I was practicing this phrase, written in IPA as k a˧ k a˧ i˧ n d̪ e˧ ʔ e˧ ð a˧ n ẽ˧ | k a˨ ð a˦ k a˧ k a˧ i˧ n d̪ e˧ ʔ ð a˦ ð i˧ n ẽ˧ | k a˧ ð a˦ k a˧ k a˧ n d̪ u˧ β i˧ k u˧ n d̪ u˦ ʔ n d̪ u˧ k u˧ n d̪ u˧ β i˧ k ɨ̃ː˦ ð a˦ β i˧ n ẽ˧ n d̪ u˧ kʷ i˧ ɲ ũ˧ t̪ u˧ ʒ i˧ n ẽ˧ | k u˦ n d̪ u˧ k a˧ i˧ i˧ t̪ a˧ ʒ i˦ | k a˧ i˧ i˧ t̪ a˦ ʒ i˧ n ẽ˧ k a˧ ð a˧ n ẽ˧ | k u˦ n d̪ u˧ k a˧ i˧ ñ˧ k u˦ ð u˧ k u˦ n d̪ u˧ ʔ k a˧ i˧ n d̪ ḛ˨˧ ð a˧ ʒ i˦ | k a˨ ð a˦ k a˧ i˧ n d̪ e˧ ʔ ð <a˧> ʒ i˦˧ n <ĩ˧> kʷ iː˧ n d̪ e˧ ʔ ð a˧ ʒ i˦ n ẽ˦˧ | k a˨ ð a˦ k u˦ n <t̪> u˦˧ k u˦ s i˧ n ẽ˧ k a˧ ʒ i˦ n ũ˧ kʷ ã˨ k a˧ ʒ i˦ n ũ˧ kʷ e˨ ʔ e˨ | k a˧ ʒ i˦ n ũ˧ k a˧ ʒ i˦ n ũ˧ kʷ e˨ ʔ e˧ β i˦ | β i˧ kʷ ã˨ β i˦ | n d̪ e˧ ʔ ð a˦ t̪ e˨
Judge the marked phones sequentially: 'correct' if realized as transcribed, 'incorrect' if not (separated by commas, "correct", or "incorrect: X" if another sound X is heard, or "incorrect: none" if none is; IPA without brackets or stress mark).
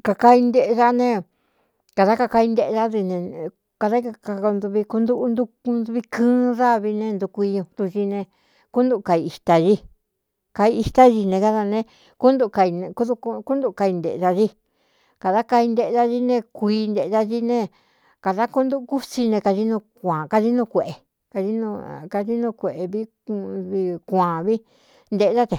correct, incorrect: ẽ˧, incorrect: d̪